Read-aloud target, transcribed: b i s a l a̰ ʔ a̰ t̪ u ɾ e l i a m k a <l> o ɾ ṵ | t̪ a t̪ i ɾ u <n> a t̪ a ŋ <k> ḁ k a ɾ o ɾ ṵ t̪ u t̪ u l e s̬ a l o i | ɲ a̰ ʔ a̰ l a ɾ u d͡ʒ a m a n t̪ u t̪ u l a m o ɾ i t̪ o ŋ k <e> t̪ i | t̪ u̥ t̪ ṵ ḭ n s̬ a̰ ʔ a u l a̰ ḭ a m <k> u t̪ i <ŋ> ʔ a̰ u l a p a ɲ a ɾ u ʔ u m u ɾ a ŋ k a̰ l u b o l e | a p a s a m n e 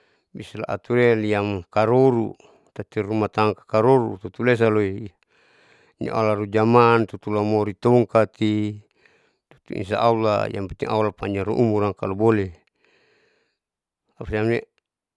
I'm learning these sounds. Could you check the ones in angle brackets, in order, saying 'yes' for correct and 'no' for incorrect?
no, no, yes, no, no, yes

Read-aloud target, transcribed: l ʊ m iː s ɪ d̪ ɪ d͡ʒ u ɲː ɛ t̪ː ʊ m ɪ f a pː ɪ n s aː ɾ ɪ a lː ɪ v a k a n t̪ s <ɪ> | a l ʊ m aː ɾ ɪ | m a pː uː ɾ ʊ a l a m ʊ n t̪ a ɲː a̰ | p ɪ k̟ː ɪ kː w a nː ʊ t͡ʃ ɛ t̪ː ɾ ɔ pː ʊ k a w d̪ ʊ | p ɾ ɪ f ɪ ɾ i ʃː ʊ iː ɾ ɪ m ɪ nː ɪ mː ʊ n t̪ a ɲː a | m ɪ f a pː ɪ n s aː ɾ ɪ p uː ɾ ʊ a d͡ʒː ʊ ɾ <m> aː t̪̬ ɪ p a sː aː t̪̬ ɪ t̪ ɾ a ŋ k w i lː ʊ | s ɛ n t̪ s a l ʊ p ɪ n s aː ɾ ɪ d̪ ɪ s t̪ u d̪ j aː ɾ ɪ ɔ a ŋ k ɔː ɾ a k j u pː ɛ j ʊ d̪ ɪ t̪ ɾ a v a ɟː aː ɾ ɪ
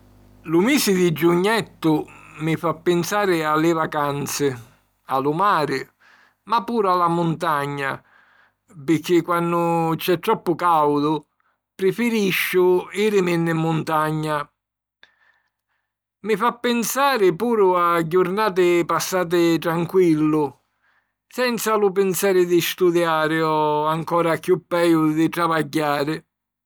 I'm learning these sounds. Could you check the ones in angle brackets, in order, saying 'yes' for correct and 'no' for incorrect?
yes, no

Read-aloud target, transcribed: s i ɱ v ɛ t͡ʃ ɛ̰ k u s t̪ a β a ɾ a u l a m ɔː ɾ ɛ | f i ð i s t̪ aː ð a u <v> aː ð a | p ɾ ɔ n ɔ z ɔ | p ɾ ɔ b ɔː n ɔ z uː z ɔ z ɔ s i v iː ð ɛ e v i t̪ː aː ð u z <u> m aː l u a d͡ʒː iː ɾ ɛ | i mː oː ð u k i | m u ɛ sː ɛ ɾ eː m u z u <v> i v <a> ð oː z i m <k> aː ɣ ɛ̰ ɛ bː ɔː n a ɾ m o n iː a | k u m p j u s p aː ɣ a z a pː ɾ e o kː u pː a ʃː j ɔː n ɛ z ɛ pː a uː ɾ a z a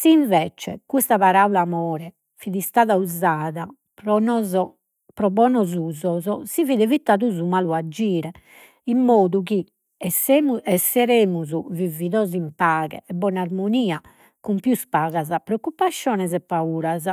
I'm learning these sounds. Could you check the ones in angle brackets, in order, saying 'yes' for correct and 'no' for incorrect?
no, yes, yes, no, no

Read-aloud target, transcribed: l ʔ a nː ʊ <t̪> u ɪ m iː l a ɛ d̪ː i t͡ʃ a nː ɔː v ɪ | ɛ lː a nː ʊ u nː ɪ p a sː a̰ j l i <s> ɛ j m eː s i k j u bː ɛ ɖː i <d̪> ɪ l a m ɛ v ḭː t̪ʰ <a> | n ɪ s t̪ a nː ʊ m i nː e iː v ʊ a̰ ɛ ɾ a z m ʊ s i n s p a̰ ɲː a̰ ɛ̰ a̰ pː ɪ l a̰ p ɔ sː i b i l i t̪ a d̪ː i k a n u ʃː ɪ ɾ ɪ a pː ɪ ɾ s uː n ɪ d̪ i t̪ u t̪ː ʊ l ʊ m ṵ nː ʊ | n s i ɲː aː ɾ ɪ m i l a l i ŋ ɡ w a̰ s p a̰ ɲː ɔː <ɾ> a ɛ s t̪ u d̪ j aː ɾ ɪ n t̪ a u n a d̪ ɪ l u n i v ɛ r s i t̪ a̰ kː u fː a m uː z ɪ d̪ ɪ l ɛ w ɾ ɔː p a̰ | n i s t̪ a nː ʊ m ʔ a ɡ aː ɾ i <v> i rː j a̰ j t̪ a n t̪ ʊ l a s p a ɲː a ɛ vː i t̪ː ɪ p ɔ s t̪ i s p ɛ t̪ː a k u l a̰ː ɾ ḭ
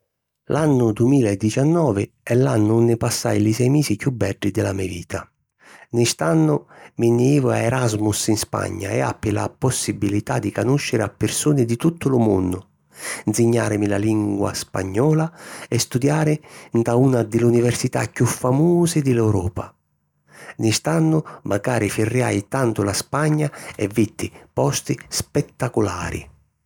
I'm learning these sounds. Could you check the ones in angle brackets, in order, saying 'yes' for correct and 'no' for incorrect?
no, yes, yes, yes, no, no

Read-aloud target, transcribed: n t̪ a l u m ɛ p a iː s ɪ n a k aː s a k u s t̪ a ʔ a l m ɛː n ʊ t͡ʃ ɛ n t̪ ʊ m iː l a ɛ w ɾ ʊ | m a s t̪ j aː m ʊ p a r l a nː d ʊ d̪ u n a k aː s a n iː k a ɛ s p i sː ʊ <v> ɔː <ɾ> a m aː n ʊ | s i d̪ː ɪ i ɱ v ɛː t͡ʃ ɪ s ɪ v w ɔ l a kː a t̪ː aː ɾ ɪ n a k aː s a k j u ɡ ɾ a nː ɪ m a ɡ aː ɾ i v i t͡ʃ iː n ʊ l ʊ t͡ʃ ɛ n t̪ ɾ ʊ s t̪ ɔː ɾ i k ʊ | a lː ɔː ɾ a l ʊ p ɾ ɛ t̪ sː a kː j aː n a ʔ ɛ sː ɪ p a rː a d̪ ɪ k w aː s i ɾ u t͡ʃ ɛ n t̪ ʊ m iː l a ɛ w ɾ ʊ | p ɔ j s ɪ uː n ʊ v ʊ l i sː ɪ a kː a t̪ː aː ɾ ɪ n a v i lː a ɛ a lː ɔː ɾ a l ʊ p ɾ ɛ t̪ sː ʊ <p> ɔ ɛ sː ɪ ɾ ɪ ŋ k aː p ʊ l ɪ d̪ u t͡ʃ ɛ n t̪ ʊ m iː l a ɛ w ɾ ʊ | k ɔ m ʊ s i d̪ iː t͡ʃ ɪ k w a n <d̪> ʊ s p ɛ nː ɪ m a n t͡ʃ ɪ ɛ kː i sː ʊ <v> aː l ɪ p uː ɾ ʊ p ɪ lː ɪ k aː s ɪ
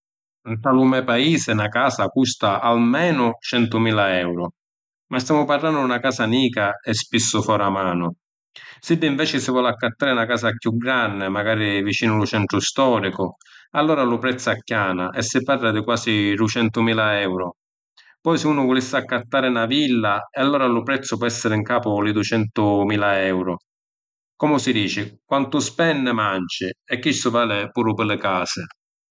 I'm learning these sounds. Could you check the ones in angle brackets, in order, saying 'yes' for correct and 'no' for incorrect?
no, yes, yes, no, yes

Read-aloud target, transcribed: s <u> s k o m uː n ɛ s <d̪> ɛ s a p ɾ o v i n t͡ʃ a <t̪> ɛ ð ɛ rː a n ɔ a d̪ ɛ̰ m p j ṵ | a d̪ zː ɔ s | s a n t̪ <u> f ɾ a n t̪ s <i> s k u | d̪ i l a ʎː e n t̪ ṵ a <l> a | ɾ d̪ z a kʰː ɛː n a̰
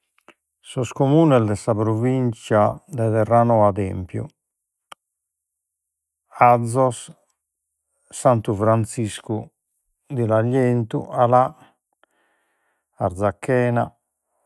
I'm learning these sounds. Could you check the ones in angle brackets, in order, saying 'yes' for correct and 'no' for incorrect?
no, yes, no, yes, yes, yes

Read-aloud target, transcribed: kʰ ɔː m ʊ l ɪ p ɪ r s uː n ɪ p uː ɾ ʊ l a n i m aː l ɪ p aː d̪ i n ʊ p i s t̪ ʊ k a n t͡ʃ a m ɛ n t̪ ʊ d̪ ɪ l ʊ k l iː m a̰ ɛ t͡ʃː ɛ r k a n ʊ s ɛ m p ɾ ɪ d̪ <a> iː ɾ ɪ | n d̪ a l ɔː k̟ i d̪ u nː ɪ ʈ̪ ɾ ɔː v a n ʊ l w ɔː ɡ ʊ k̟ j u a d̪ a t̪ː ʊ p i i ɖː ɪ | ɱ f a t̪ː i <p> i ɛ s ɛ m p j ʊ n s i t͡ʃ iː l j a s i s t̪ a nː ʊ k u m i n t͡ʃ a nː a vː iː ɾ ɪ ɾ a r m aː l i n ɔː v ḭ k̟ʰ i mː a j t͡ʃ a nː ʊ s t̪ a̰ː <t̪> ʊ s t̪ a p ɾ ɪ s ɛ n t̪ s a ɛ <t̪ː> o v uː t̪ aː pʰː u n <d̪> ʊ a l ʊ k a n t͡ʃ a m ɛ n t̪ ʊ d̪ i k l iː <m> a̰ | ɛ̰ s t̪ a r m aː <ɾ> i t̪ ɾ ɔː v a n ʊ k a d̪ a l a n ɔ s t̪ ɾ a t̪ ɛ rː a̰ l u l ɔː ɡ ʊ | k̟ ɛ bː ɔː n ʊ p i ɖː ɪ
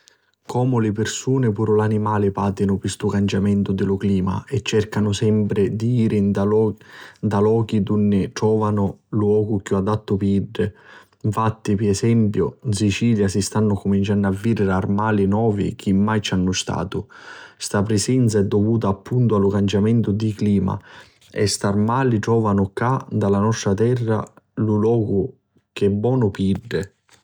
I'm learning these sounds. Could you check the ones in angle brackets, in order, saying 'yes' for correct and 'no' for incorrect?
no, yes, yes, no, no, yes, no

